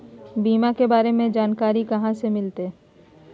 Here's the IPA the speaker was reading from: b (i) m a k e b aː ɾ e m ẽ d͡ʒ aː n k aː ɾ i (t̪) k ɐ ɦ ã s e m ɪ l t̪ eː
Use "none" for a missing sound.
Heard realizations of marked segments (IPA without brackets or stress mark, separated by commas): iː, none